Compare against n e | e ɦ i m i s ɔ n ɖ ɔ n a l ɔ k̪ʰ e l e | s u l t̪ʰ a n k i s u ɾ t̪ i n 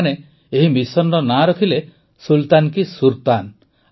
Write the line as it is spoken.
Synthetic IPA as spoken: n e | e ɦ i m i s ɔ n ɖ ɔ n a ɾ ɔ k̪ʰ i l e | s u l t̪ a n k i s u ɾ t̪ a n